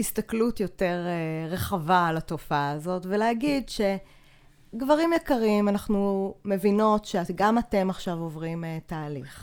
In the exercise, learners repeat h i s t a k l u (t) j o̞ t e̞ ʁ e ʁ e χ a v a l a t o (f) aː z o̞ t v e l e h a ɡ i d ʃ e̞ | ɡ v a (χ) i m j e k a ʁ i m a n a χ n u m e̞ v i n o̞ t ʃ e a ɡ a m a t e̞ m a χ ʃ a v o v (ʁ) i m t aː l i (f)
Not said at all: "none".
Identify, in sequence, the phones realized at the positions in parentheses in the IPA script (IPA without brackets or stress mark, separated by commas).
t, f, ʁ, ʁ, χ